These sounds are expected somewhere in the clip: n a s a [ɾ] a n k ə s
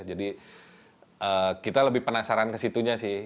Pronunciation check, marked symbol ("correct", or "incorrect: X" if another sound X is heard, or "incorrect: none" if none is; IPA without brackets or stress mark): correct